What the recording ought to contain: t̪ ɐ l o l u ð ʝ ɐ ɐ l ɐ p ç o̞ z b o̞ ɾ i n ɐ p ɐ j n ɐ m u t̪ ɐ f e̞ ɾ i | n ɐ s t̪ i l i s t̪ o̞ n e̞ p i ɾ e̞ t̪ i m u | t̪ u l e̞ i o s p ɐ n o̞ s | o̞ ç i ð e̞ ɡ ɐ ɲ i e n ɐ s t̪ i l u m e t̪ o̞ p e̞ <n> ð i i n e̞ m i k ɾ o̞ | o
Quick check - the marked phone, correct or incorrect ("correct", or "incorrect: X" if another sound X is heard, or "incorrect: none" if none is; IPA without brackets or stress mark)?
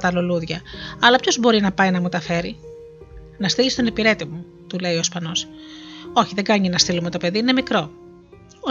incorrect: none